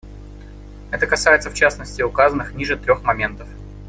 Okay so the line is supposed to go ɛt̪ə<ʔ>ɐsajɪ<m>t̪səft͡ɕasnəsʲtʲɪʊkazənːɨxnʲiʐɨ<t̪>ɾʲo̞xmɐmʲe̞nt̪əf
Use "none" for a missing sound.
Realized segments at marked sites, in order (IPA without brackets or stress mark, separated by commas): k, none, t̪